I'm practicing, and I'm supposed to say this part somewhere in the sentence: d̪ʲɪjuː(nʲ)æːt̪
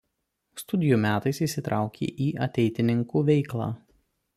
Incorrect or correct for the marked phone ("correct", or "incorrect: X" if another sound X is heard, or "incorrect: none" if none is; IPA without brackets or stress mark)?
incorrect: mʲ